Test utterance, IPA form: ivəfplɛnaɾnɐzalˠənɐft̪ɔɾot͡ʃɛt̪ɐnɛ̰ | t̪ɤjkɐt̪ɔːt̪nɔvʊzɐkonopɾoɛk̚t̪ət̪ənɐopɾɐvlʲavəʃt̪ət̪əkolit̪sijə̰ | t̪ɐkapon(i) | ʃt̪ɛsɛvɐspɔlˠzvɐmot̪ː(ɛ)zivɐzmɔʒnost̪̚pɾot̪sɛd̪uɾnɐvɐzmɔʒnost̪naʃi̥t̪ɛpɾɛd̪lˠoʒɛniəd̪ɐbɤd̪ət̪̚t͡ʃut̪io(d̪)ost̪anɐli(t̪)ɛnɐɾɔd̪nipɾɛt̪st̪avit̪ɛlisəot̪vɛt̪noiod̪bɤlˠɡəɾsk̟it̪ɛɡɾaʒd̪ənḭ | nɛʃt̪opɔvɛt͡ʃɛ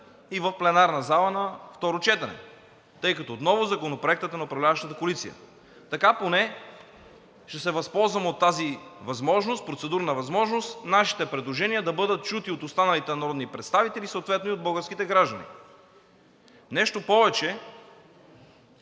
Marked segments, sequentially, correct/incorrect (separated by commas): incorrect, incorrect, incorrect, correct